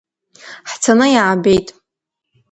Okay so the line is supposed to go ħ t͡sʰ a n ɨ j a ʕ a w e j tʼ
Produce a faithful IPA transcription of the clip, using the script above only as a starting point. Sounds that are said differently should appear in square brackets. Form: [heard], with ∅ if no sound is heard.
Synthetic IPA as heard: ħ t͡sʰ a n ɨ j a ʕ a [b] e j tʼ